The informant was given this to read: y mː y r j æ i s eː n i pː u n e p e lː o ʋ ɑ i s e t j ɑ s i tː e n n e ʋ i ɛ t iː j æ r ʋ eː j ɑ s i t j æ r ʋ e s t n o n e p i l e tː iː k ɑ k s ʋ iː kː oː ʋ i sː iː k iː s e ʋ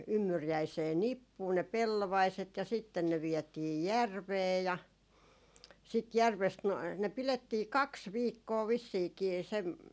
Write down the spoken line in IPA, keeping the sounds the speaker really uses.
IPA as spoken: y mː y r j æ i s eː n i pː uː n e p e lː o ʋ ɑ i s e t j ɑ s i tː e n n e ʋ i ɛ t iː j æ r ʋ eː j ɑ s i t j æ r ʋ e s t n o n e p i l e tː iː k ɑ k s ʋ iː kː oː ʋ i sː iː k iː s e ʋ

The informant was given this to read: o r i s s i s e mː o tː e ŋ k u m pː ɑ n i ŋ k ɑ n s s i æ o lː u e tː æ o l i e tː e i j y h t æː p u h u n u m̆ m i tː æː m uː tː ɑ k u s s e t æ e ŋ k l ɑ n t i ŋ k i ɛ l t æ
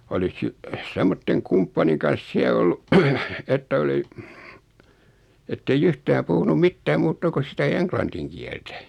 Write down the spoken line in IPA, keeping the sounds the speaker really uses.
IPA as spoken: o l i s s i s e mː o tː e ŋ k u m pː ɑ n i ŋ k ɑ n s s i æ o lː u e tː æ o l i e tː e i j y h t æː p u h u n u m̆ m i tː æː m uː tː ɑ k u s s i t æ e ŋ k l ɑ n t i ŋ k i ɛ l t æ

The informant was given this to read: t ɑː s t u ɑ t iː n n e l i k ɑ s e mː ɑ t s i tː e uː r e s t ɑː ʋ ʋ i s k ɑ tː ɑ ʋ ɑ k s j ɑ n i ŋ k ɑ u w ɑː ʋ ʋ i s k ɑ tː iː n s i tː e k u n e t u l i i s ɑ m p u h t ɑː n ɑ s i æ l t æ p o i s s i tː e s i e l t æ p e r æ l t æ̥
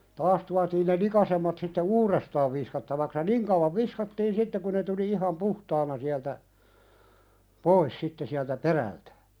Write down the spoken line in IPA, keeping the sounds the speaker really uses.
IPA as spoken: t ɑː s t u ɑ t iː n n e l i k ɑ s e mː ɑ t s i tː e uː r e s t ɑː ʋ ʋ i s k ɑ tː ɑ ʋ ɑ k s j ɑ n i ŋ k ɑ u w ɑ ʋ ʋ i s k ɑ tː iː n s i tː e k u n e t u l i i h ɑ m p u h t ɑː n ɑ s i æ l t æ p o i s s i tː e s i æ l t æ p e r æ l t æ̥

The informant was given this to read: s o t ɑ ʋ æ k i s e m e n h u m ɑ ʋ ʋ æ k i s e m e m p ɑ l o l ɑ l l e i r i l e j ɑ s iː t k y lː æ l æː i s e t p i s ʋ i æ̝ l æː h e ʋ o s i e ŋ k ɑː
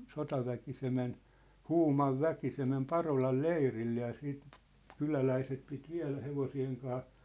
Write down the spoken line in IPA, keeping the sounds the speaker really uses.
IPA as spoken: s o t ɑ ʋ æ k i s e m e n h uː m ɑ ʋ ʋ æ k i s e m e m p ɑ r o l ɑ l l e i r i lː e j ɑ s iː t k y l æ l æ i s e t p i t ʋ i æ̝ l æ h e ʋ o s i e ŋ k ɑː

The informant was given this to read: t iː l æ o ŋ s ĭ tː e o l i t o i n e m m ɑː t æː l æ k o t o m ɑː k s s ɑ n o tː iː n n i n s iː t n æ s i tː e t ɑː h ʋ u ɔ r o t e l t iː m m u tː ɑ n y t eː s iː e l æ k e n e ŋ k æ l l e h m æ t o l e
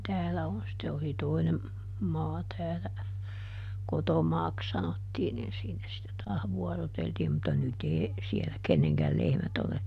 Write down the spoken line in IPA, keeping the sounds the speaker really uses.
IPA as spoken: t æː l æ o n s ĭ tː e o l i t o i n e m m ɑː t æː l æ k o t o m ɑː k s s ɑ n o tː iː n n i n s iː n æ s i tː e t ɑː h ʋ u ɔ r o t e l t iː m m u tː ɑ n y t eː s i e l æ k e nː e ŋ k æ l l e h m æ t o l e

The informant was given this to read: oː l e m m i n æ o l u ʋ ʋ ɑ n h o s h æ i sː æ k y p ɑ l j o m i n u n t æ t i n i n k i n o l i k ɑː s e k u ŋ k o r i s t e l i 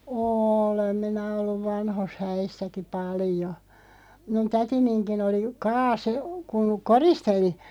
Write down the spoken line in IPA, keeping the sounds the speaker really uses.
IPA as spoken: oː l e m m i n æ o lː u ʋ ʋ ɑ n h o s h æ i sː æ k i p ɑ l j o m i n u n t æ t i n i n k i n o l i k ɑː s e k u ŋ k o r i s t e l i

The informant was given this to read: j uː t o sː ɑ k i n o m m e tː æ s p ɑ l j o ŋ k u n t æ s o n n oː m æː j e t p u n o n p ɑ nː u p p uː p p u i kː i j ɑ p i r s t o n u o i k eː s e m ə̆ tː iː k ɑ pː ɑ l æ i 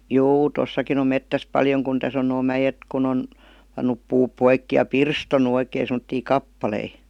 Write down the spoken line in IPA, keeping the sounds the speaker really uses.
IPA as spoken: j uː t o sː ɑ k i n o m m e tː æ s p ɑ l j o ŋ k u n t æ s o n n oː m æ j e t k u n o n p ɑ nː u p p uː p p o i kː i j ɑ p i r s t o n u o i k eː s e m ə̆ tː iː k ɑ pː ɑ l e i

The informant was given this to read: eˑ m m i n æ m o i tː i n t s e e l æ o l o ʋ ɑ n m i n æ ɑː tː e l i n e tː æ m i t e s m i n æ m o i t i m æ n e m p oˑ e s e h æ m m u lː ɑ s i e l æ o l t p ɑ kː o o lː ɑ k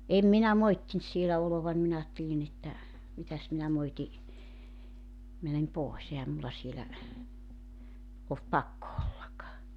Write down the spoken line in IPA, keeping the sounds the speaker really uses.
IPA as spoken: eˑ m m i n æ m o i tː i n t s i e l æ o l o ʋ ɑ n m i n æ ɑː tː e l i n e tː æ m i t æ s m i n æ m o i t i m æ n e m p oˑ e s e h æ m m u lː ɑ s i e l æ o l t p ɑ kː o o lː ɑ k

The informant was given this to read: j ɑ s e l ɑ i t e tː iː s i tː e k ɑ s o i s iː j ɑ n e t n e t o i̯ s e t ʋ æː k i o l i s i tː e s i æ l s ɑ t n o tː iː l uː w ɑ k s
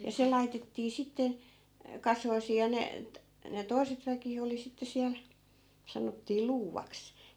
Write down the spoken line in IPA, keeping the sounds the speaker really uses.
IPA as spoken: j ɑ s e l ɑ i t e tː iː s i tː e k ɑ s o i s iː j ɑ n e t n e t o i̯ s e t ʋ æ k i o l i s i tː e s i æ l s ɑ n o tː iː l uː ʋ ɑ k s

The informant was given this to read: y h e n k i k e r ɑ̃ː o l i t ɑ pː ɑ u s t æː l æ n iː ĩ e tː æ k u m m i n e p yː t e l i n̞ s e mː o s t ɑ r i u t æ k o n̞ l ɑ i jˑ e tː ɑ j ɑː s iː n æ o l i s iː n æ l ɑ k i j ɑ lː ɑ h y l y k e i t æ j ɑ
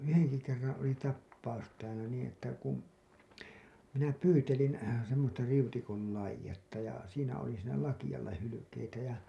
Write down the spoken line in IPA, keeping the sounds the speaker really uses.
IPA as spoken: y h e n k i k e rː ɑ̃ː o l i t ɑ pː ɑ u s t æː l æ n iː ĩ e tː æ k u m m i n æ p yː t e l i n̞ s e mː o s t ɑ r i u t i k o n̞ l ɑ i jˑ e tː ɑ j ɑ s iː n æ o l i s iː n æ l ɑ k i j ɑ lː ɑ h y l y k e i t æ j ɑ

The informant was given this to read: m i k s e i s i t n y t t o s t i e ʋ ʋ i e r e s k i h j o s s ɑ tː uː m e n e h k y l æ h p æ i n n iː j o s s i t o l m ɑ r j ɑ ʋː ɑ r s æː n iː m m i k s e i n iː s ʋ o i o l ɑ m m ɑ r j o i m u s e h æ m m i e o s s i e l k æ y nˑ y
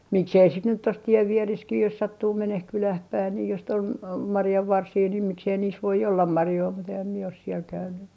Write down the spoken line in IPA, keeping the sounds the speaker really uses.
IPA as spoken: m i k s e i s i t n y t t o s t i e ʋ ʋ i e r e s k i h j o s s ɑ tː uː m e n e h k y l æ h p æ i n n iː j o s s i t o l m ɑ r j ɑ ʋː ɑ r s iː n iː m m i k s e i n iː s ʋ o i o lː ɑ m m ɑ r j o i m u t e h æ m m i e o s s i e l k æ y nˑ y

